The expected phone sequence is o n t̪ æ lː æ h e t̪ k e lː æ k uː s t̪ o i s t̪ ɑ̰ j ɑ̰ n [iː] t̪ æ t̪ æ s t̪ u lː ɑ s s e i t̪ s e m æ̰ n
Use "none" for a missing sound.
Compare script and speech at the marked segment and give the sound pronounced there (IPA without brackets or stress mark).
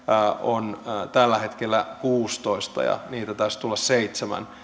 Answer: iː